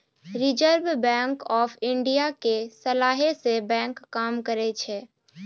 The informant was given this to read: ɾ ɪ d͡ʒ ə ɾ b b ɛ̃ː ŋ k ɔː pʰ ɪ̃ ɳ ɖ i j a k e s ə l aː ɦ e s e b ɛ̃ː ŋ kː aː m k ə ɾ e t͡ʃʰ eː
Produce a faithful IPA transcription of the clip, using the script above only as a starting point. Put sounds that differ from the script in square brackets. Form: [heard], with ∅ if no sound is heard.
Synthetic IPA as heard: ɾ ɪ d͡ʒ ə ɾ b b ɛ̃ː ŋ k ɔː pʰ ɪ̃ ɳ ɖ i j a k e s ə l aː ɦ e s e b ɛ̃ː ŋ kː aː m k ə ɾ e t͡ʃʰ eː

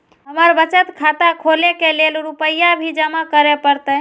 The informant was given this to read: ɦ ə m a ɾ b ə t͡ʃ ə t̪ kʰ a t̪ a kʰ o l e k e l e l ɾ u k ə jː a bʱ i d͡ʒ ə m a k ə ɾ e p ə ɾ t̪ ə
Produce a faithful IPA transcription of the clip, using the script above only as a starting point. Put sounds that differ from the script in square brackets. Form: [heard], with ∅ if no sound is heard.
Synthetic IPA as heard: ɦ ə m [ə] ɾ b ə t͡ʃ ə t̪ kʰ a t̪ a kʰ o l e k e l e l ɾ u [p] ə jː a bʱ i d͡ʒ ə m a k ə ɾ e p ə ɾ t̪ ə

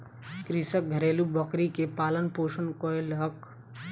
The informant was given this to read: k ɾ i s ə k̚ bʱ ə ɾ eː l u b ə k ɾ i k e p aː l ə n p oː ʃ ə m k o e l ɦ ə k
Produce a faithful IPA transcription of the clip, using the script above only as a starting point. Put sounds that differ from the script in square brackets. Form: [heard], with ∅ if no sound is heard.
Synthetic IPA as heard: k ɾ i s ə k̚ [ɡʱ] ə ɾ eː l u b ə k ɾ i k e p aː l ə n p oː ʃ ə [n] k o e l ɦ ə k

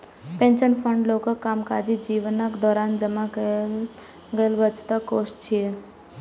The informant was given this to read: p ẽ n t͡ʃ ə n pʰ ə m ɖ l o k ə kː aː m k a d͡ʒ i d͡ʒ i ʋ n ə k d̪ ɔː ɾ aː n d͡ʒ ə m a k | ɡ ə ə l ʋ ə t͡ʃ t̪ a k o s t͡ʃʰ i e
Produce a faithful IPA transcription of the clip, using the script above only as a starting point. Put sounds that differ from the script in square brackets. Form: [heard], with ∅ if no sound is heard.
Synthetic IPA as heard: p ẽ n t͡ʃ ə n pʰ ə [ɳ] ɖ l o k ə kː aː m k a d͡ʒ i d͡ʒ i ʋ n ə k d̪ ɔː ɾ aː n d͡ʒ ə m a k | ɡ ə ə l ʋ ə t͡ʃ t̪ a k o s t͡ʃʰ i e

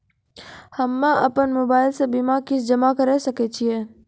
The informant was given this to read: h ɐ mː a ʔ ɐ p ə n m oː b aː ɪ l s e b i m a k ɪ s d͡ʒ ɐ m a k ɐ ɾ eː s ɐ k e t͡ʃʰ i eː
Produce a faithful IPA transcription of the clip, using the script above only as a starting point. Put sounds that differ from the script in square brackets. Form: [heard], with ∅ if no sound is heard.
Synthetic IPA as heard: h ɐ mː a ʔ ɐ p ə n m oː b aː ɪ l s e b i m a k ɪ s d͡ʒ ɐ m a k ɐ ɾ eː s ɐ k e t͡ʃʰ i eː

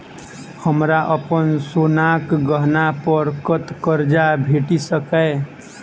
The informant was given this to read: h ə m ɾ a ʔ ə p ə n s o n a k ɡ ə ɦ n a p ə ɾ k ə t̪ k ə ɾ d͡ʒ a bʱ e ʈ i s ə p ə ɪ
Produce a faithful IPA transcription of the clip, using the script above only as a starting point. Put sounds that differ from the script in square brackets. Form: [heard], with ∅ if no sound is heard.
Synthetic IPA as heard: h ə m ɾ a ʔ ə p ə n s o n a k ɡ ə ɦ n a p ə ɾ k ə t̪ k ə ɾ d͡ʒ a bʱ e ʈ i s ə [k] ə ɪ

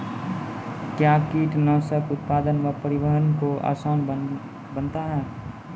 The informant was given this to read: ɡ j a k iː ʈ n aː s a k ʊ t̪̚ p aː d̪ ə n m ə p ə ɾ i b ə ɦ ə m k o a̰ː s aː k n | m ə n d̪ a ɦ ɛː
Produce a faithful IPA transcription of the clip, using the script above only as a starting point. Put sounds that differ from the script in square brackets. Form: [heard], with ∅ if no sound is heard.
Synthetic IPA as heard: [k] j a k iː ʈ n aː s [ə] k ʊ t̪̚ p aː d̪ ə n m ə p ə ɾ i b ə ɦ ə [n] k o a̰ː s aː [∅] n | [b] ə n [t̪] a ɦ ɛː

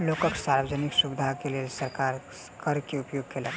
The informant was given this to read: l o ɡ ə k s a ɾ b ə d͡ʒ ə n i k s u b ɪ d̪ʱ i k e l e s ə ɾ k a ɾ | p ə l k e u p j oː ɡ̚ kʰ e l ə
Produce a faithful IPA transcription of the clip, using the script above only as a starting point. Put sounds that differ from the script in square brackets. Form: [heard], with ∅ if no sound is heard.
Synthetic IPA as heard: l o [k] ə k s a ɾ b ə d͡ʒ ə n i k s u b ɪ d̪ʱ [a] k e l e s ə ɾ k a ɾ | [k] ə [ɾ] k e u p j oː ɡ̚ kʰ e l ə

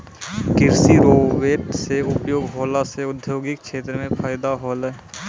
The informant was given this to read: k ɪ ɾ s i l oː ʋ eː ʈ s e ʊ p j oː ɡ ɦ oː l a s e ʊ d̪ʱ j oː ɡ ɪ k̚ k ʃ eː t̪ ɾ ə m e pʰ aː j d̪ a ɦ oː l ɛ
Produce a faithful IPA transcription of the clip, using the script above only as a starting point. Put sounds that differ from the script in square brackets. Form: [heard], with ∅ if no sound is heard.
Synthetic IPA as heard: k ɪ ɾ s i [ɾ] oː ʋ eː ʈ s e ʊ p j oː ɡ ɦ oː l a s e ʊ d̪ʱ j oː ɡ ɪ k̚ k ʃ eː t̪ ɾ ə m [ẽ] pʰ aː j d̪ a ɦ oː l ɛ

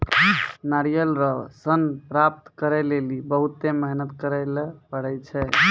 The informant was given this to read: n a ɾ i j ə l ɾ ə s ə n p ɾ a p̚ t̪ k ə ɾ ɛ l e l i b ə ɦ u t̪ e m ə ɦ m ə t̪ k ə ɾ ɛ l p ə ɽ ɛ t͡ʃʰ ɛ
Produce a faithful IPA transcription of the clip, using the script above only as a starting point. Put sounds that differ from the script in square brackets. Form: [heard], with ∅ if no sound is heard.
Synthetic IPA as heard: n a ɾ i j ə l ɾ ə s ə n p ɾ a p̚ t̪ k ə ɾ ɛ l e l i b ə ɦ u t̪ e m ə ɦ [n] ə t̪ k ə ɾ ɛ l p ə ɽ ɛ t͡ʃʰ ɛ

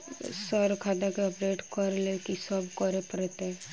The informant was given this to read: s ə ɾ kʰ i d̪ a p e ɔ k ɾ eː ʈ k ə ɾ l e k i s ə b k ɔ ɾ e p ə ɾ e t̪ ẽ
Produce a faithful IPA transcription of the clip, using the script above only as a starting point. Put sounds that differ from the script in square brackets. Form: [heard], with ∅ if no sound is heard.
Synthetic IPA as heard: s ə ɾ kʰ [a] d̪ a [k] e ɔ [p] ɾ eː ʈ k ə ɾ l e k i s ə b k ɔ ɾ e p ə ɾ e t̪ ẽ

